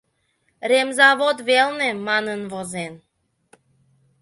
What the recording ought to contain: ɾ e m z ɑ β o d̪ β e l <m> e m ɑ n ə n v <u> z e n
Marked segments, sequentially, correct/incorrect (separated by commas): incorrect, incorrect